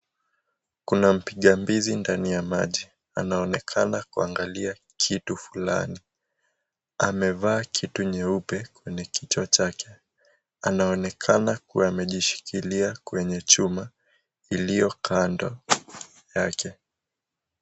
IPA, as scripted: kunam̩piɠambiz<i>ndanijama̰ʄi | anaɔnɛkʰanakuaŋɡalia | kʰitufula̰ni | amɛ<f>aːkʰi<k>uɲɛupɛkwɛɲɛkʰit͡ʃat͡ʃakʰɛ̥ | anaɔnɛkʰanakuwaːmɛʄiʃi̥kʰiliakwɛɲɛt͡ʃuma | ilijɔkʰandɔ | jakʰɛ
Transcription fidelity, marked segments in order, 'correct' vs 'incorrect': correct, incorrect: v, incorrect: t

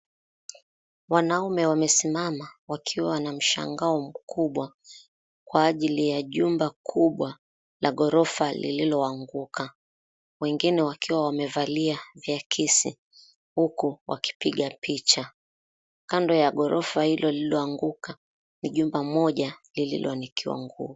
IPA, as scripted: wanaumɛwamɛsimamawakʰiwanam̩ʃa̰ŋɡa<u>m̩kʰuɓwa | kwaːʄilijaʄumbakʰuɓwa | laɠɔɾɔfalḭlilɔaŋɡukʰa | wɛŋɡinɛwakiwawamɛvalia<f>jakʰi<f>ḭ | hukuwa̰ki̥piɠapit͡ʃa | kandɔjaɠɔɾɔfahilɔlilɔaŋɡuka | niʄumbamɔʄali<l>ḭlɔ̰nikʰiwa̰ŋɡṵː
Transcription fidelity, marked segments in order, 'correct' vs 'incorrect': incorrect: ɔ, incorrect: v, incorrect: s, correct

